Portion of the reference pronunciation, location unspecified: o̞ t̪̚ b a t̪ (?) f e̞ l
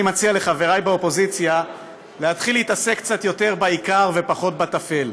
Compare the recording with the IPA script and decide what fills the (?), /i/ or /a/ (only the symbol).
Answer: a